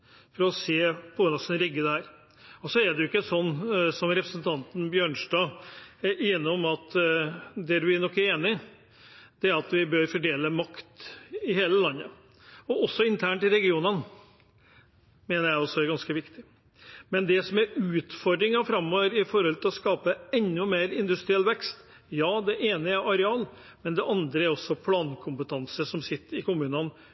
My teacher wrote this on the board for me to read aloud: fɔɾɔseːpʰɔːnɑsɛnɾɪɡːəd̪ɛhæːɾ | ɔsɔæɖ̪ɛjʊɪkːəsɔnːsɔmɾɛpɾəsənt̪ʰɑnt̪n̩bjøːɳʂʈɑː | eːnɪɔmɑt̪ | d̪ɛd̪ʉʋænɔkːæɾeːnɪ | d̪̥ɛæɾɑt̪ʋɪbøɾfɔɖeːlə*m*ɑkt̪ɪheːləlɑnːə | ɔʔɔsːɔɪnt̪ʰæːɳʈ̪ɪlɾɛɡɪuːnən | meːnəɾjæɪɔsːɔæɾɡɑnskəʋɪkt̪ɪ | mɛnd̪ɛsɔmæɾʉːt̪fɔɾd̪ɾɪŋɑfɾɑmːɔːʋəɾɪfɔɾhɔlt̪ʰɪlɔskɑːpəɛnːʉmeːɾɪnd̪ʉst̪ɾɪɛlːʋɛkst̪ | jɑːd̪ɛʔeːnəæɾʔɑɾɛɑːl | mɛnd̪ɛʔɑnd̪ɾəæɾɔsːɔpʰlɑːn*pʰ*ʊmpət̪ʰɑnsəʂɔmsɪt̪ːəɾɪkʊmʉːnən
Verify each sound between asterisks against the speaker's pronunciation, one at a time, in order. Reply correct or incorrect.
correct, incorrect: kʰ

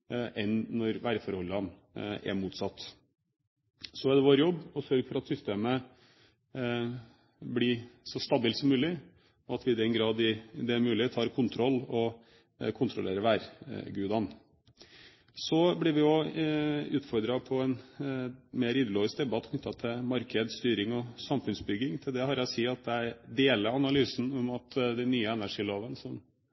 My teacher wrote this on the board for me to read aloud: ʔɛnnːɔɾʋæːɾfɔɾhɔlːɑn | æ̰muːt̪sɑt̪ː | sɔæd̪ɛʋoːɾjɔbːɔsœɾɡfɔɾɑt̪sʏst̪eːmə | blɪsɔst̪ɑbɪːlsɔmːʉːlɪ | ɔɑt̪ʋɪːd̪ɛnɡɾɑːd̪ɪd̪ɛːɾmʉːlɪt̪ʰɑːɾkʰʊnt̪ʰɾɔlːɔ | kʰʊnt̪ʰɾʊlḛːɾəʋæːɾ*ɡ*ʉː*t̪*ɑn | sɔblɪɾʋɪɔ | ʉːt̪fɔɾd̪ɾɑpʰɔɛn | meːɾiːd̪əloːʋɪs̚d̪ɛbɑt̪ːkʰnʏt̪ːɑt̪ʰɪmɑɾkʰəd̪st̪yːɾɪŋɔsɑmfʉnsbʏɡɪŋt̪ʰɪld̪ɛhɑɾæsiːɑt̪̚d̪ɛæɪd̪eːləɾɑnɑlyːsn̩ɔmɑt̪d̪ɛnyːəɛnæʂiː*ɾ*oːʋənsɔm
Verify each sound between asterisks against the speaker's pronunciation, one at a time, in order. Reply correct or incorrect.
correct, incorrect: d̪, incorrect: l

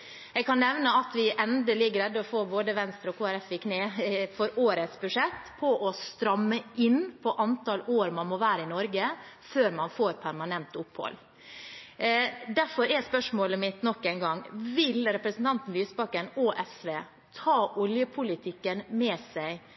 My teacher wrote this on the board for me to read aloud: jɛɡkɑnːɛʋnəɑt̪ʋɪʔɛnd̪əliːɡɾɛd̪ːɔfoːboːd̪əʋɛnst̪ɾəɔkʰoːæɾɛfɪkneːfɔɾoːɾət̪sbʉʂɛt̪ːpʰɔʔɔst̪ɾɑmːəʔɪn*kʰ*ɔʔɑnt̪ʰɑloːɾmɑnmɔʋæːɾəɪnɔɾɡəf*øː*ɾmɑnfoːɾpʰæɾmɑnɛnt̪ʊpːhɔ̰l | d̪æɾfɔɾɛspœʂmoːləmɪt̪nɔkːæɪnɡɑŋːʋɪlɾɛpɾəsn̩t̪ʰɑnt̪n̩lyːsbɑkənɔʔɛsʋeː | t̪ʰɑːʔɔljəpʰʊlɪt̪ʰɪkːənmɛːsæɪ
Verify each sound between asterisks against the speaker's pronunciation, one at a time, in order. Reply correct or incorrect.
incorrect: pʰ, correct

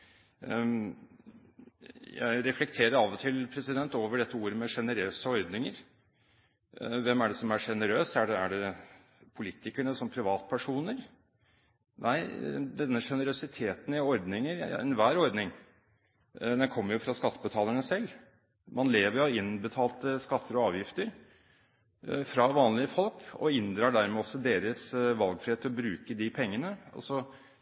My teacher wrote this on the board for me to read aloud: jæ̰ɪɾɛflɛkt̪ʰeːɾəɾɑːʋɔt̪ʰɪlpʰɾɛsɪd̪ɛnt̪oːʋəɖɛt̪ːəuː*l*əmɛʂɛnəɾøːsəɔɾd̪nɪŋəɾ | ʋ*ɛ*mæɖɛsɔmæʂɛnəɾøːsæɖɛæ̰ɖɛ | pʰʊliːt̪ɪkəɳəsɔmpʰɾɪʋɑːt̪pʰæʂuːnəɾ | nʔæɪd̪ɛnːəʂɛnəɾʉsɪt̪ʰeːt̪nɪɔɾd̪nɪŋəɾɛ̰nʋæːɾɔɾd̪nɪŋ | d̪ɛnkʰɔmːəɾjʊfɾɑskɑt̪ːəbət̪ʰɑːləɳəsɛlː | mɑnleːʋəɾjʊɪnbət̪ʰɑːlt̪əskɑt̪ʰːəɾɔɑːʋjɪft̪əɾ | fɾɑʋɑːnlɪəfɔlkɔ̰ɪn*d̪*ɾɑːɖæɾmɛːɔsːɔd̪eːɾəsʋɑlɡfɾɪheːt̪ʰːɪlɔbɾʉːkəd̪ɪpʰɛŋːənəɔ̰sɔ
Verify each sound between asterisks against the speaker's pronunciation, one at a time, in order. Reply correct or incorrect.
incorrect: ɾ, correct, correct

